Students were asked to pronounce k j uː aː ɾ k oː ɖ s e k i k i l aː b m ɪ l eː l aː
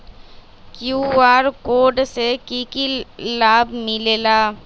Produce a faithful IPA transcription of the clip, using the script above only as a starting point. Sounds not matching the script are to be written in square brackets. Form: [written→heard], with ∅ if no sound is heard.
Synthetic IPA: k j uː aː ɾ k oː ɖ s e k i k i l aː b m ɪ l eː l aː